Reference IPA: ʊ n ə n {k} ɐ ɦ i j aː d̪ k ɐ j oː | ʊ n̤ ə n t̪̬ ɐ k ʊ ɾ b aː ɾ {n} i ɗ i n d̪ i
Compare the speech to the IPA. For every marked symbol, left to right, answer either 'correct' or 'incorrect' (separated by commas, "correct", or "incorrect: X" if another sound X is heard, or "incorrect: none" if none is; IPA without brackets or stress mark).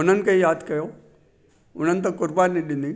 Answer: correct, correct